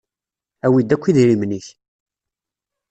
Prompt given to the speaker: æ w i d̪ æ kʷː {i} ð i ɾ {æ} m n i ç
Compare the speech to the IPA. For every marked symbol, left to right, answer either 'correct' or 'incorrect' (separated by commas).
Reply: correct, incorrect